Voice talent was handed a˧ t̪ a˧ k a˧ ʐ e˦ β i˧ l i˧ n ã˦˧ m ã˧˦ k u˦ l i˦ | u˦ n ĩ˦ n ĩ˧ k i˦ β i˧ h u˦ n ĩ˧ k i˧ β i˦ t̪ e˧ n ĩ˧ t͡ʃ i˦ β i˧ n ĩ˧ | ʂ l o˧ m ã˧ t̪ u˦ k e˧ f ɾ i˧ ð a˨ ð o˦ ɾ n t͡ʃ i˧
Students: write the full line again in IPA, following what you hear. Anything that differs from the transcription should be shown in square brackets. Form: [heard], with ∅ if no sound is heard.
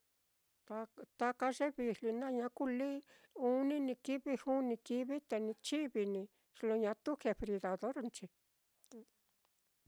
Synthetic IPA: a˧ t̪ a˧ k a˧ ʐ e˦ β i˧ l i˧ n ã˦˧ [ɲ] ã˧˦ k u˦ l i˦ | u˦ n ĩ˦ n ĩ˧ k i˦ β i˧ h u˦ n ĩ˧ k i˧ β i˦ t̪ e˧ n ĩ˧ t͡ʃ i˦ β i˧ n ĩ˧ | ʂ l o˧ [ɲ] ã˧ t̪ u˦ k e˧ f ɾ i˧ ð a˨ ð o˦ ɾ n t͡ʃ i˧